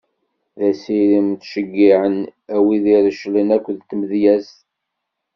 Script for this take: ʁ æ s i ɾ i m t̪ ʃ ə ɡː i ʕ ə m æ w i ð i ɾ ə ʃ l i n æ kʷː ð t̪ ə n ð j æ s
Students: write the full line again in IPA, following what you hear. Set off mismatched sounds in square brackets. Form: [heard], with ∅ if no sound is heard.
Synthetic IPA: [ð] æ s i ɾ i m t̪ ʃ ə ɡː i ʕ ə [n] æ w i ð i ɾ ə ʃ l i n æ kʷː ð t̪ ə [m] ð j æ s